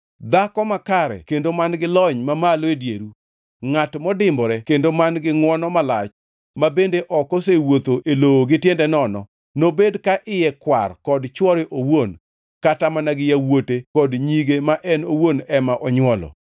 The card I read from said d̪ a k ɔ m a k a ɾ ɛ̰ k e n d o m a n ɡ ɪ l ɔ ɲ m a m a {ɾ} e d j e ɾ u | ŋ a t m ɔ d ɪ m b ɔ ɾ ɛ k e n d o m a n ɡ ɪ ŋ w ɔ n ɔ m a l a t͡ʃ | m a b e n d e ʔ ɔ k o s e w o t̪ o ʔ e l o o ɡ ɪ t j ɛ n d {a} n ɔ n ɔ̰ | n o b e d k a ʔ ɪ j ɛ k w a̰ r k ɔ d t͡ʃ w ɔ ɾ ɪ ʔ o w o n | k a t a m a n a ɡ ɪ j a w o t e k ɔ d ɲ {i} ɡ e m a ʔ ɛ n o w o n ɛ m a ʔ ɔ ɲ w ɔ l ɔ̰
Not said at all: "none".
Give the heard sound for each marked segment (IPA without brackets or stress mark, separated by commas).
l, ɛ, i